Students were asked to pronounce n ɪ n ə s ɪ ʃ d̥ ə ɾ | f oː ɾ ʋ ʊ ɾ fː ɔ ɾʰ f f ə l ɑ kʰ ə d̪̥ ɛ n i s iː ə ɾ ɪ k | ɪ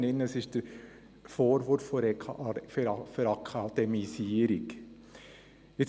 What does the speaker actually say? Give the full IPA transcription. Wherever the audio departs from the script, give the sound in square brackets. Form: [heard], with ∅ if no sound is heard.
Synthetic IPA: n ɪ n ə s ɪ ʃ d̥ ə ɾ | f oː ɾ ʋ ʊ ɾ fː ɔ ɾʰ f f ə [ɾ] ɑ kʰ [ɑ] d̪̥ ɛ [m] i s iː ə ɾ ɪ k | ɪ